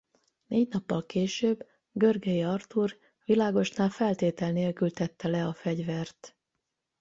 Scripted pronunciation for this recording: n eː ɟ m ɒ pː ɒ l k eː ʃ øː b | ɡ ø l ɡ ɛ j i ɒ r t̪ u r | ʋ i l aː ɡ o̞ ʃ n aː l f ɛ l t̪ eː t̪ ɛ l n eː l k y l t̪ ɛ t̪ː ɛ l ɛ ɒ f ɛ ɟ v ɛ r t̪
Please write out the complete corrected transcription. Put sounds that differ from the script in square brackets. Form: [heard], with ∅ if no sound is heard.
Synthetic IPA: n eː ɟ [n] ɒ pː ɒ l k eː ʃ øː b | ɡ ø [r] ɡ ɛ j i ɒ r t̪ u r | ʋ i l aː ɡ o̞ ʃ n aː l f ɛ l t̪ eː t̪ ɛ l n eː l k y l t̪ ɛ t̪ː ɛ l ɛ ɒ f ɛ ɟ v ɛ r t̪